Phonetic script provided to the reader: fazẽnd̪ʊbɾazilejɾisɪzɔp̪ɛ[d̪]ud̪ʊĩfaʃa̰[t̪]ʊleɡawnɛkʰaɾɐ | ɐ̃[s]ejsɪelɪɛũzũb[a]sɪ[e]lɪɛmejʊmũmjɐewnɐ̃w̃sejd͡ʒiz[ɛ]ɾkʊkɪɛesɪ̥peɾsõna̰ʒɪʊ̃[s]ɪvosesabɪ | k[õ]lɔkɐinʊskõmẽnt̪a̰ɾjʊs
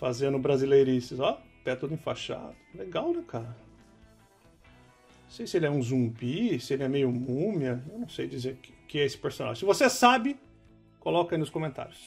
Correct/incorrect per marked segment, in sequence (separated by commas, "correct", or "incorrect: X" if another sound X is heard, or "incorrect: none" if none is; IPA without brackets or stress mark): incorrect: t̪, incorrect: d̪, correct, incorrect: i, correct, incorrect: e, correct, incorrect: o